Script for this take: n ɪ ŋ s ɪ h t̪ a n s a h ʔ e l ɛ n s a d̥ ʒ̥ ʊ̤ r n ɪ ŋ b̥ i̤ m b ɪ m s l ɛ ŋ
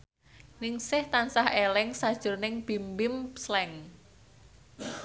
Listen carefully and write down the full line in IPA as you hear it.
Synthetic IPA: n ɪ ŋ s ɪ h t̪ a n s a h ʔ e l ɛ ŋ s a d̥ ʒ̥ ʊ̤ r n ɪ ŋ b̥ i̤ m b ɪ m s l ɛ ŋ